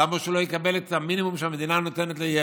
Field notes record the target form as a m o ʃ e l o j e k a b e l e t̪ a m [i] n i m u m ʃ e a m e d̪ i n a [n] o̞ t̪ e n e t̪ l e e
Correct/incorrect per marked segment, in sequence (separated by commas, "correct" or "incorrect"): correct, correct